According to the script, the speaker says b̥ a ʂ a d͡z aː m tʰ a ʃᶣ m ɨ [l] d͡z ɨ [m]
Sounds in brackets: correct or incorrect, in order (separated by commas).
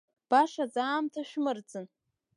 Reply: incorrect, incorrect